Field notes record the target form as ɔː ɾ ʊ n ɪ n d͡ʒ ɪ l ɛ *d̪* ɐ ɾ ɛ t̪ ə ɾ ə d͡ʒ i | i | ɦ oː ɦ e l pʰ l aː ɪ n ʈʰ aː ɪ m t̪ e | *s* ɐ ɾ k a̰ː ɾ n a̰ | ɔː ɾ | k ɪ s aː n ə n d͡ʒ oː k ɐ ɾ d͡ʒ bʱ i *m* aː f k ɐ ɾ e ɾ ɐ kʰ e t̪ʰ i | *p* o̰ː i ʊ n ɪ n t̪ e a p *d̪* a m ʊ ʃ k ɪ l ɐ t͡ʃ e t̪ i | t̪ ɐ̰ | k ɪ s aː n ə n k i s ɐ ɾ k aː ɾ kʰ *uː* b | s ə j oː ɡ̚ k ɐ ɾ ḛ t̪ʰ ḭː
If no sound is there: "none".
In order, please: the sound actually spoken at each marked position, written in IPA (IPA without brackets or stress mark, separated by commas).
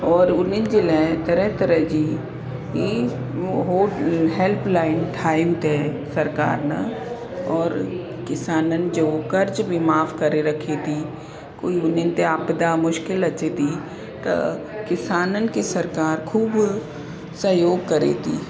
t̪, s, m, k, d̪, uː